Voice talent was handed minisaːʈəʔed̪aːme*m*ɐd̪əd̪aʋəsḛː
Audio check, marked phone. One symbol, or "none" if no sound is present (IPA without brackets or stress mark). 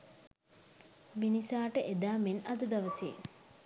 n